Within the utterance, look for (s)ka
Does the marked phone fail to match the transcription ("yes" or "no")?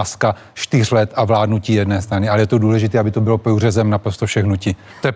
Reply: no